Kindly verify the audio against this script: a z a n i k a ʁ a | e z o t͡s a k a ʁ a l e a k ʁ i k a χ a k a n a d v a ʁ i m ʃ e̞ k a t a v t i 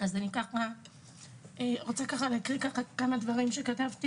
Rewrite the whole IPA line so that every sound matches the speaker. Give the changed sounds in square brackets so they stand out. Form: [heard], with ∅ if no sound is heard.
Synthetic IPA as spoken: a z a n i k a [χ] a | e [ʁ] o t͡s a k a [χ] a l e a k ʁ i k a χ a k a [m] a d v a ʁ i m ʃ e̞ k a t a v t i